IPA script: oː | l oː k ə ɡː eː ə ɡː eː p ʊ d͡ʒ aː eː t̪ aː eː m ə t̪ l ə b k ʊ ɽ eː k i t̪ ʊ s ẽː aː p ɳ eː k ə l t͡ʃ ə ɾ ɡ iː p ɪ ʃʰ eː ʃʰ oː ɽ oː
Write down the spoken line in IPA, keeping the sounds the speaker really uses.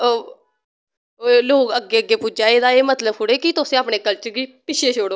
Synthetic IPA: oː | l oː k ə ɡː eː ə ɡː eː p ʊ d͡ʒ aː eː d̪ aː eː m ə t̪ l ə b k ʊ ɽ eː k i t̪ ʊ s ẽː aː p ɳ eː k ə l t͡ʃ ə ɾ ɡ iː p ɪ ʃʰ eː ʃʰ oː ɽ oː